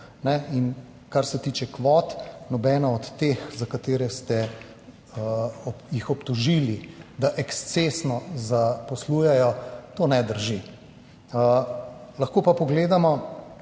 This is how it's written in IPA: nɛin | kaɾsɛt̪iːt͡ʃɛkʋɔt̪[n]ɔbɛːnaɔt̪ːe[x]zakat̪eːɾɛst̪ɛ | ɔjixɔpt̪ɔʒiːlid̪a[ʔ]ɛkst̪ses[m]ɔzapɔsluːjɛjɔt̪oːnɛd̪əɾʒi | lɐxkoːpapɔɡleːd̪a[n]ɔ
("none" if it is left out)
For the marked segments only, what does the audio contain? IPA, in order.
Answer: n, x, ʔ, n, m

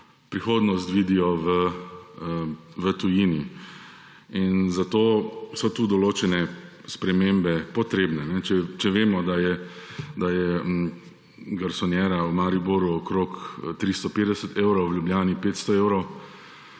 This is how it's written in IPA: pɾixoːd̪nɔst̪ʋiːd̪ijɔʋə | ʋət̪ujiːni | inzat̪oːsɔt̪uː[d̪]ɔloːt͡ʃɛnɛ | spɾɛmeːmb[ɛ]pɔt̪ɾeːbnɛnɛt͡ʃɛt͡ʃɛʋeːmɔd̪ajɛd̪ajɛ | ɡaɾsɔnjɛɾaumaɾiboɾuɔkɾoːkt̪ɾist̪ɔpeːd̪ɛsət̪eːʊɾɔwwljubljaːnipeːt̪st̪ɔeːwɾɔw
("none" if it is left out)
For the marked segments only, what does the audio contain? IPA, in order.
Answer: d̪, ɛ

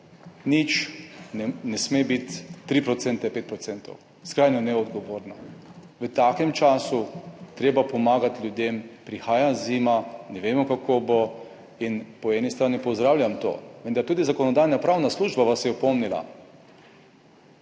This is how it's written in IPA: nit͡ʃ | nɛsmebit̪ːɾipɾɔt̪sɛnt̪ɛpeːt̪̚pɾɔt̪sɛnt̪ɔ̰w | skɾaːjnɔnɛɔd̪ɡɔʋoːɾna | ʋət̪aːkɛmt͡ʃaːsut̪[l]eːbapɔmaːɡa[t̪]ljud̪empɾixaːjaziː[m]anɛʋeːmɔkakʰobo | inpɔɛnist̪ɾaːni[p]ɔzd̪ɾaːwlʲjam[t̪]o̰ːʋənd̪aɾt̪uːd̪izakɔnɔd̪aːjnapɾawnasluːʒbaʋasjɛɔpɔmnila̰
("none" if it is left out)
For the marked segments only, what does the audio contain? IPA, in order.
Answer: ɾ, t̪, m, p, t̪

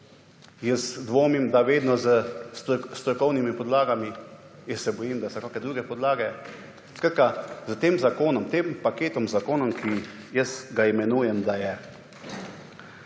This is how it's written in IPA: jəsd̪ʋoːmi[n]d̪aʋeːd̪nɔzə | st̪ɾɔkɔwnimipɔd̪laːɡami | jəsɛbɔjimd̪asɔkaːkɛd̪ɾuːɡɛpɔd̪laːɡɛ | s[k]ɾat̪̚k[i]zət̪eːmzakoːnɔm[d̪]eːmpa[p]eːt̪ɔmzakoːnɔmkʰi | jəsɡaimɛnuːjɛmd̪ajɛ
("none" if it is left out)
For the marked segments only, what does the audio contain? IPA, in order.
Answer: m, k, a, t̪, k

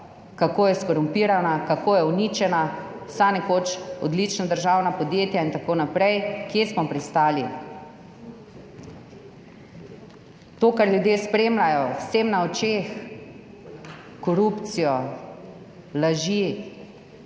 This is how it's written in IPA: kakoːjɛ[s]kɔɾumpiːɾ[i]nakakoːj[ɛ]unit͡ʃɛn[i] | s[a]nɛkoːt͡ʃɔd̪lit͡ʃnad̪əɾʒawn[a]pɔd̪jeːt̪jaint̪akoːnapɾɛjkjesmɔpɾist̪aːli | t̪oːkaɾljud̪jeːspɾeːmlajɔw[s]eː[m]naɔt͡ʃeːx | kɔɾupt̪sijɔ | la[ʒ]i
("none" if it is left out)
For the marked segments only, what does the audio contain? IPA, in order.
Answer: s, a, ɛ, a, a, a, s, m, ʒ

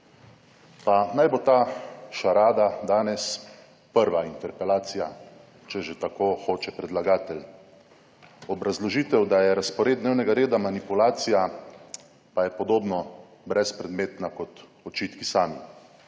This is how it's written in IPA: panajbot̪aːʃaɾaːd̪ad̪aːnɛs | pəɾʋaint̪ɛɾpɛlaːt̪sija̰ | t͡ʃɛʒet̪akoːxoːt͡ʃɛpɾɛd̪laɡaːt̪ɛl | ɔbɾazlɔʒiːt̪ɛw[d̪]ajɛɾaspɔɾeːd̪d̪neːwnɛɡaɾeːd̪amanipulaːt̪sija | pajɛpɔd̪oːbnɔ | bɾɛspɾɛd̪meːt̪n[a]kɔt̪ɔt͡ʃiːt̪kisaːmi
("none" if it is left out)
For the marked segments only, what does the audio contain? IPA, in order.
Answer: d̪, a

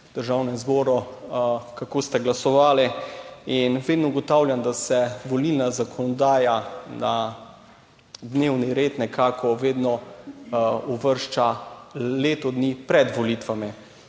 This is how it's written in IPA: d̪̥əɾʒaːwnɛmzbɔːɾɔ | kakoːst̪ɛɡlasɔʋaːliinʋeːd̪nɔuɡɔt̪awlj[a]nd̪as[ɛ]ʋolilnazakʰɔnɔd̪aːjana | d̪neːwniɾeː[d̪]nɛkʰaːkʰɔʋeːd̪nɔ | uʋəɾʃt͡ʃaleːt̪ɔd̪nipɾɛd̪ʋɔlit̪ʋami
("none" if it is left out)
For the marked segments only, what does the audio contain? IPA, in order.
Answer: a, ɛ, t̪

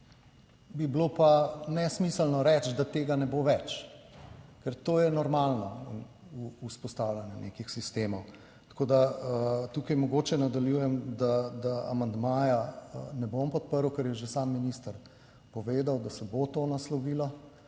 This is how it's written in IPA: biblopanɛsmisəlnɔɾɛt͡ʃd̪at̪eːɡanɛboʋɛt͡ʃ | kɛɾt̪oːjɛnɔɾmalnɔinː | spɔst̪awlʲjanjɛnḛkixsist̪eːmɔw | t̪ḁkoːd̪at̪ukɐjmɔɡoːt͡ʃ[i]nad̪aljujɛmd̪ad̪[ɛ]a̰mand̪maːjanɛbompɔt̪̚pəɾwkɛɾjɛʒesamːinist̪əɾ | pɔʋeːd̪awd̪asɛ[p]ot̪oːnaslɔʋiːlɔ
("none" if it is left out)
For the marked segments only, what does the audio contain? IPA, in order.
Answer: ɛ, a, b

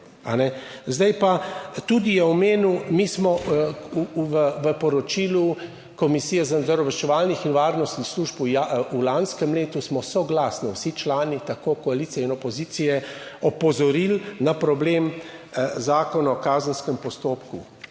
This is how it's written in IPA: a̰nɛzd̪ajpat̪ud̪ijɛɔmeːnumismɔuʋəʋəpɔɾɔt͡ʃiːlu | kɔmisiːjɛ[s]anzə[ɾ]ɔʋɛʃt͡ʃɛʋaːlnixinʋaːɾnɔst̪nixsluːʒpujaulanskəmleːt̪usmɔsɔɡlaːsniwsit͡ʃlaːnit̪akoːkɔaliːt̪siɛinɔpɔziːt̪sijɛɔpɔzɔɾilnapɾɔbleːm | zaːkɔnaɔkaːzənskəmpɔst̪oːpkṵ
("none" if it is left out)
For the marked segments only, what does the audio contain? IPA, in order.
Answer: z, ɾ

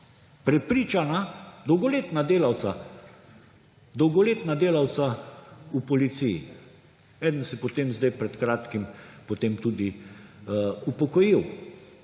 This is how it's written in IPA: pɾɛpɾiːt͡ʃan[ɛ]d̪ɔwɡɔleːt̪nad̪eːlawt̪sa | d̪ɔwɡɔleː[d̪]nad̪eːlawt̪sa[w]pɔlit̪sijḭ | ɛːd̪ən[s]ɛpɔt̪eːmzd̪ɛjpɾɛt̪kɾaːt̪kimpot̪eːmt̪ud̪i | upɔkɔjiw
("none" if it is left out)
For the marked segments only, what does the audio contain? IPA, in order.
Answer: a, t̪, u, s

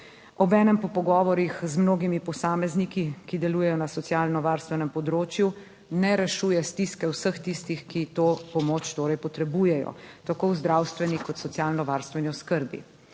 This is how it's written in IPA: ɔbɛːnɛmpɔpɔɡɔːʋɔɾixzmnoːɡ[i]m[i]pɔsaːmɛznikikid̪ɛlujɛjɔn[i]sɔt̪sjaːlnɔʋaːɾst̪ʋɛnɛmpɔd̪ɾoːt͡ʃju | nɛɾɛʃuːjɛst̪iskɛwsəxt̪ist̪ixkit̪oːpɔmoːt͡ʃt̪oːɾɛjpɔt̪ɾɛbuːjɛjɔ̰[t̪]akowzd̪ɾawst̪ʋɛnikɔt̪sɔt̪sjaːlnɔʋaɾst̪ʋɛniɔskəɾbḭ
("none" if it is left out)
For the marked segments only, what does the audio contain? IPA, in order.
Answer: i, i, a, t̪

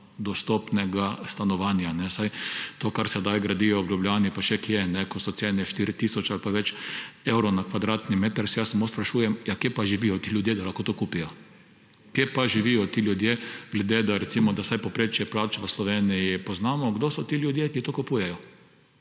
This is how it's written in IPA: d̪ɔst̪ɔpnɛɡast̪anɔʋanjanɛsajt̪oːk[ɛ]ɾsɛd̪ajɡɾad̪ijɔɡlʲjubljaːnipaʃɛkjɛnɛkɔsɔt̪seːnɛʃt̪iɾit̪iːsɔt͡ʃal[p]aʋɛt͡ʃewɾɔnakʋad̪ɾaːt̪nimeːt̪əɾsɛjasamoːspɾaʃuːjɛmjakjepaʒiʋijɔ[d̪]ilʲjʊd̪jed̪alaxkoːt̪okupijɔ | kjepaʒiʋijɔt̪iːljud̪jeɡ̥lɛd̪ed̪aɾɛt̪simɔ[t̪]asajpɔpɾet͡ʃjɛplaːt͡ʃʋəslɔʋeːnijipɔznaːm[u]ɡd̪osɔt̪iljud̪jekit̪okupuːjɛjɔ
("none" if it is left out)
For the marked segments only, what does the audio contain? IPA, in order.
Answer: a, p, t̪, d̪, ɔ

